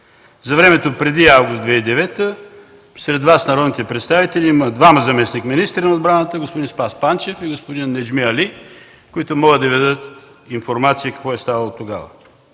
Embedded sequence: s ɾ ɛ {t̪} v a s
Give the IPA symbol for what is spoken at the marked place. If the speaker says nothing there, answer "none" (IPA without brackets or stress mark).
d̪